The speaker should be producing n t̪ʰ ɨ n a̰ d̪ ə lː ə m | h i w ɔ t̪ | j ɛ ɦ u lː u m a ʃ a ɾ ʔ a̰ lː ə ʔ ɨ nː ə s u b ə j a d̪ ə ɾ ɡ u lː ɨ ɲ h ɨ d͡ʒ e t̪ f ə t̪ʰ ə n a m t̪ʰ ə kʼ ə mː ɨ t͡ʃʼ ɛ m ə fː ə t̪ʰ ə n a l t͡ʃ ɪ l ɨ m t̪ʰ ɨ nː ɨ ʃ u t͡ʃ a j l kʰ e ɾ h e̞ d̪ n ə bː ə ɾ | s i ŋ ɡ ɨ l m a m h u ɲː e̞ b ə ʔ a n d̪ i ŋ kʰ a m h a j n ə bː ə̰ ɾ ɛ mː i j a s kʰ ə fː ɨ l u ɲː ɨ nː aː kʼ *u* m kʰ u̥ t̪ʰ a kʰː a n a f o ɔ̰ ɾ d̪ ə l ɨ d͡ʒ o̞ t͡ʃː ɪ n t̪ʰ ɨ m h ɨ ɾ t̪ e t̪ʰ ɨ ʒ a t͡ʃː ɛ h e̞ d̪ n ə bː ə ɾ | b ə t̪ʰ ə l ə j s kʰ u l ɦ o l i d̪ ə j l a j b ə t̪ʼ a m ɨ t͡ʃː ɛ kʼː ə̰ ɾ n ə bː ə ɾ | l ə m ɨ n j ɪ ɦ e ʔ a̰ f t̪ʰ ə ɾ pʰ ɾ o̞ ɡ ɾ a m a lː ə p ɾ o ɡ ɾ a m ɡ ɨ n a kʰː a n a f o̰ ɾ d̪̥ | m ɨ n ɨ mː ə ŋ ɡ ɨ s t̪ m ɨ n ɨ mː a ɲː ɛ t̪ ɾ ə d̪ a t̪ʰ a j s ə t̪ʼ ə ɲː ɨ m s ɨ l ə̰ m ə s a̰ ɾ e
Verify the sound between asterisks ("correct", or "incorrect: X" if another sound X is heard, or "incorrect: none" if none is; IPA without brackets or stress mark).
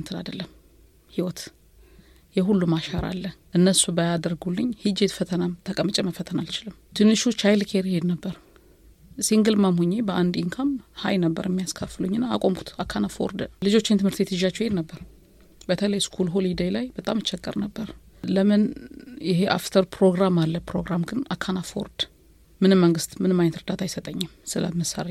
incorrect: o